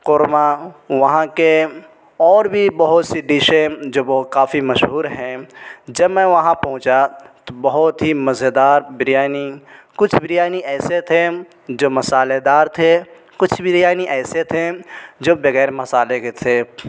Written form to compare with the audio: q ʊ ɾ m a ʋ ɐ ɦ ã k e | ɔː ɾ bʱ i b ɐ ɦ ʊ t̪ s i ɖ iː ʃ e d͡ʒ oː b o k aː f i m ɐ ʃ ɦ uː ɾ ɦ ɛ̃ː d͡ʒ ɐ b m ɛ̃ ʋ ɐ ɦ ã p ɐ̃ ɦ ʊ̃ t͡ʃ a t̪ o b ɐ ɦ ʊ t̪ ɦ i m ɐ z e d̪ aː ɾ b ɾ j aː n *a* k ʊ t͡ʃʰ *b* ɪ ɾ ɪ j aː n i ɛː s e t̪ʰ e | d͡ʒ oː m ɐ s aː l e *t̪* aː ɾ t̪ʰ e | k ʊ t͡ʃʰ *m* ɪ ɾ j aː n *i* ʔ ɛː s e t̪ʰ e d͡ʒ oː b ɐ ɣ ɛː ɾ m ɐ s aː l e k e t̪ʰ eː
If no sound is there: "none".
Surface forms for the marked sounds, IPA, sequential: i, b, d̪, b, i

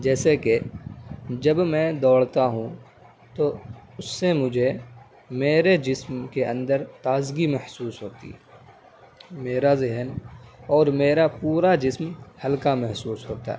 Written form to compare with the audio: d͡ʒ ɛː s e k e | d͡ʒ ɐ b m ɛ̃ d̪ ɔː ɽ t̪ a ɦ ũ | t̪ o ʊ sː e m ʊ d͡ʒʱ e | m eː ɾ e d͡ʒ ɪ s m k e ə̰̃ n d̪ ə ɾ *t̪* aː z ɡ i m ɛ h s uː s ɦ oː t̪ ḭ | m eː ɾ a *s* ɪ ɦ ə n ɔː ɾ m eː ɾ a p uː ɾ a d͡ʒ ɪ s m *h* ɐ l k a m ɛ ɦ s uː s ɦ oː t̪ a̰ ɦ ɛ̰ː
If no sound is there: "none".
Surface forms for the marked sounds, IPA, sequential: t̪, z, h

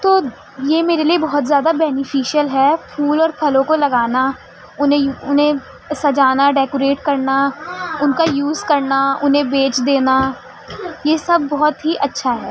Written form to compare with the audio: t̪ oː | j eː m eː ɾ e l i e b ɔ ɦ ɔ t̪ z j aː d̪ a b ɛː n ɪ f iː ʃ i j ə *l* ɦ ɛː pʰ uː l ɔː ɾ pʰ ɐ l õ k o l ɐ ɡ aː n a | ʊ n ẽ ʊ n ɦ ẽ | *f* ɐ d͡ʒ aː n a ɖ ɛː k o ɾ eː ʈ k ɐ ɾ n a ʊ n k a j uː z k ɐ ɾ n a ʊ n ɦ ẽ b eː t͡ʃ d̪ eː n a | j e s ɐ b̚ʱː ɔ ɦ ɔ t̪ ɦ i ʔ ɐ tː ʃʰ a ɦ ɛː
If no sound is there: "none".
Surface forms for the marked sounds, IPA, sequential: l, s

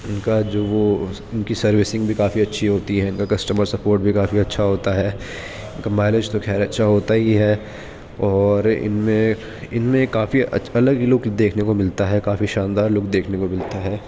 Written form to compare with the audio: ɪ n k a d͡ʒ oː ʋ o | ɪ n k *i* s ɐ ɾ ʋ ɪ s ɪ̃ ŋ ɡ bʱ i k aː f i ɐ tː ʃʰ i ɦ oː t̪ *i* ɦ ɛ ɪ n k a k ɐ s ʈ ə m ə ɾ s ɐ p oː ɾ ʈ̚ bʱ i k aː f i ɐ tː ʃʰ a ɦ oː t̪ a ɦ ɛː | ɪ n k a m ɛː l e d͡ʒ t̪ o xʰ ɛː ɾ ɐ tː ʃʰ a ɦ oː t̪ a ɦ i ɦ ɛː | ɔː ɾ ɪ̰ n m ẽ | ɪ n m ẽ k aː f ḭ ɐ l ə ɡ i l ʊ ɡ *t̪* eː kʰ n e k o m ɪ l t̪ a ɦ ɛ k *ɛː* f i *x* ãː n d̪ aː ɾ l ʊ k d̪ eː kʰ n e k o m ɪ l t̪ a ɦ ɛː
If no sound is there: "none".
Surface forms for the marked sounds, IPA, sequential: i, i, d̪, aː, ʃ

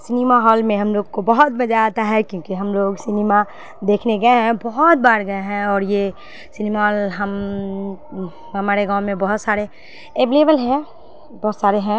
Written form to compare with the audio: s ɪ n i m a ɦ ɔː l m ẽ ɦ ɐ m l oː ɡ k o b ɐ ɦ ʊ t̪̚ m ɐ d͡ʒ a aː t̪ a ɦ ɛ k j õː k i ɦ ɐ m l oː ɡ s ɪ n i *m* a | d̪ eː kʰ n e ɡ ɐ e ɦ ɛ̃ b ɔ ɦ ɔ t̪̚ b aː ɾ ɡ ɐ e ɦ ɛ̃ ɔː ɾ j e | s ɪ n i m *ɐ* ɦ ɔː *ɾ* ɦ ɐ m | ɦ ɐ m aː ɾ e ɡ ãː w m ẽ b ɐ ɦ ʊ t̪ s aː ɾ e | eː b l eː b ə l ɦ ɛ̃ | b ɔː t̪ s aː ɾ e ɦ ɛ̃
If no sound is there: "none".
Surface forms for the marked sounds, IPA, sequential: m, a, l

